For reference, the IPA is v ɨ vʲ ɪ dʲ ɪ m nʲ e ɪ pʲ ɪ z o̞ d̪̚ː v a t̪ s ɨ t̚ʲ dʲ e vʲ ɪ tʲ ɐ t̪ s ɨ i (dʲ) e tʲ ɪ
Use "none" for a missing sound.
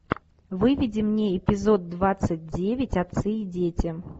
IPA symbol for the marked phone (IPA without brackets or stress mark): dʲ